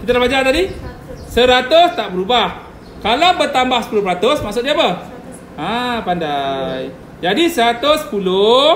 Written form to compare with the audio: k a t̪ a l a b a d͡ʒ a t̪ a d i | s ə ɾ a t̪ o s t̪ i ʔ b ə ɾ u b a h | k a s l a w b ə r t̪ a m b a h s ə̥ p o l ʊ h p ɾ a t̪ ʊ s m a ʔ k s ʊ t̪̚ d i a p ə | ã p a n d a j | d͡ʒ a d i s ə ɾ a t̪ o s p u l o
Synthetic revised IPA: k i t̪ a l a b a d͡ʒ a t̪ a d i | s ə ɾ a t̪ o s t̪ a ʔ b ə ɾ u b a h | k a l a w b ə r t̪ a m b a h s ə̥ p u l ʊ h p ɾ a t̪ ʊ s m a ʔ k s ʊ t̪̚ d i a p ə | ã p a n d a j | d͡ʒ a d i s ə ɾ a t̪ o s p u l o